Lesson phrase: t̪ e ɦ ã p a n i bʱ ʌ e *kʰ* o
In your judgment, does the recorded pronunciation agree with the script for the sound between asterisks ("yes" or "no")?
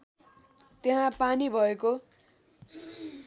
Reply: no